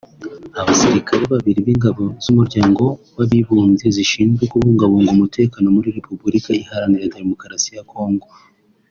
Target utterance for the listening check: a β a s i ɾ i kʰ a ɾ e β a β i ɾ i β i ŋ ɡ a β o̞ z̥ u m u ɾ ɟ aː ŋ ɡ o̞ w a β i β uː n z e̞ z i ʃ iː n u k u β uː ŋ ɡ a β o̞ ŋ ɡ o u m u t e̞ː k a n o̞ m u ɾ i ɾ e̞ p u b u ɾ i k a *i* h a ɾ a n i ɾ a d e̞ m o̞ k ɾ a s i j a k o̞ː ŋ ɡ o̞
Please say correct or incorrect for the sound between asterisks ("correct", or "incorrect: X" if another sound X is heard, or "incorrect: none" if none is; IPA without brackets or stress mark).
correct